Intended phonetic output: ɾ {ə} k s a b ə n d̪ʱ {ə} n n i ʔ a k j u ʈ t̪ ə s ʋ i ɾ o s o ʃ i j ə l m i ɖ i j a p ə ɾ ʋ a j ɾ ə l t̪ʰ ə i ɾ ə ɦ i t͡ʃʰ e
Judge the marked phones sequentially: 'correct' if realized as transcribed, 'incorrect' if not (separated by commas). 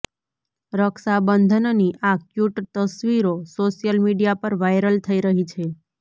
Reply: correct, correct